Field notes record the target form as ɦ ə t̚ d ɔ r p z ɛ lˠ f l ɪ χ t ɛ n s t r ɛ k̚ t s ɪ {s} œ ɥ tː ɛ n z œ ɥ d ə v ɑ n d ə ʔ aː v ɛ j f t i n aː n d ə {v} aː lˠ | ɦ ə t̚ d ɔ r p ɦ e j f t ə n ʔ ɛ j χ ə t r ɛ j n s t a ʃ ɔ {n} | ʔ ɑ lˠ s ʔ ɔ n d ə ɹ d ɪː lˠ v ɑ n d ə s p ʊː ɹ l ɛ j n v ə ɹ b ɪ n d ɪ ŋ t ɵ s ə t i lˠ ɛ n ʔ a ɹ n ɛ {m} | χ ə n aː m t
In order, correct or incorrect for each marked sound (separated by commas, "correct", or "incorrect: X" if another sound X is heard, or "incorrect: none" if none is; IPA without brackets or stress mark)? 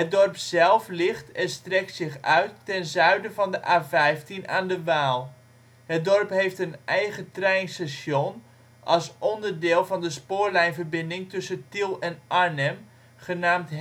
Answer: incorrect: χ, incorrect: ʋ, correct, correct